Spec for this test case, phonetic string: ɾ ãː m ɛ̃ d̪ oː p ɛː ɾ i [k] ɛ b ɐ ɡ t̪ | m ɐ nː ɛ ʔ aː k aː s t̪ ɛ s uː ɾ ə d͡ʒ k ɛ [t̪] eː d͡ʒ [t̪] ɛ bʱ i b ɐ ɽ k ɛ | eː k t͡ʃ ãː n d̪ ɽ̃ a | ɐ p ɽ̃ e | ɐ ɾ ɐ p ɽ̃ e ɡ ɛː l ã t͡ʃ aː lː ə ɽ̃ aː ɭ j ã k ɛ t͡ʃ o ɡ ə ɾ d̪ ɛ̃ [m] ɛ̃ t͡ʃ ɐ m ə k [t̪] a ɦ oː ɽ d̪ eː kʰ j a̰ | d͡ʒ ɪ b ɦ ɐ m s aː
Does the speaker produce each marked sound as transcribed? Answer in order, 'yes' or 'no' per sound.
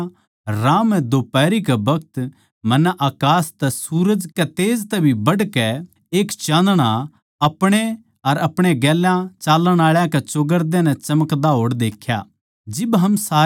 yes, yes, yes, no, no

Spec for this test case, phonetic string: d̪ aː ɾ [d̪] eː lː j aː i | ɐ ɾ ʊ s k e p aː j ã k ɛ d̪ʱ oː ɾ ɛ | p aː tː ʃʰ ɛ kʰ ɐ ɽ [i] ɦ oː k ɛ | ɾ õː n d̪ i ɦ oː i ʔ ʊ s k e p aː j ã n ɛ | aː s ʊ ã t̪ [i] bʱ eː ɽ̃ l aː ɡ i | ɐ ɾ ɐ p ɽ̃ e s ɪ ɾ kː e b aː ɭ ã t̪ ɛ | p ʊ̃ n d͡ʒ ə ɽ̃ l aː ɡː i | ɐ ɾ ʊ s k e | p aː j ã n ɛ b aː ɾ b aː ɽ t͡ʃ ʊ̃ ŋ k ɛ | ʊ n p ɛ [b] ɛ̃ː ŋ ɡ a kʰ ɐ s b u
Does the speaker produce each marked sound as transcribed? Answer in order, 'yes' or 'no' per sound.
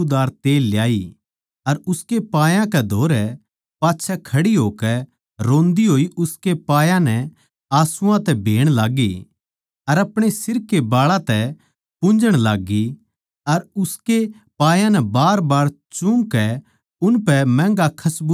no, yes, no, no

